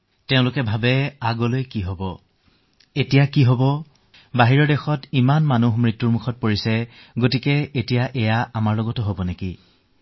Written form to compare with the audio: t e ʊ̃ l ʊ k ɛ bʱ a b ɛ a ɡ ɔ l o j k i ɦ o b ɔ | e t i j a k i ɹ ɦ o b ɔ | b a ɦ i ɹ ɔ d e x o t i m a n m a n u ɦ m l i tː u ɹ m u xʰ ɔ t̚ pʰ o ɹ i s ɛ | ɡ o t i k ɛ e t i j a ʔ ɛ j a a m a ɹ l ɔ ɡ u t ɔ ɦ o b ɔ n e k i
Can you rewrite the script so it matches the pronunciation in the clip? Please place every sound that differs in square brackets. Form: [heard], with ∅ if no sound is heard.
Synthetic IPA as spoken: t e ʊ̃ l ʊ k ɛ bʱ a b ɛ a ɡ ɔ l o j k i ɦ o b ɔ | e t i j a k i [∅] ɦ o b ɔ | b a ɦ i ɹ ɔ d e x [ɔ] t i m a n m a n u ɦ m [ɹ] i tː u ɹ m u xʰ ɔ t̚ [p] o ɹ i s ɛ | ɡ o t i k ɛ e t i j a ʔ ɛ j a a m a ɹ l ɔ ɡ [ɔ] t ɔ ɦ o b ɔ n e k i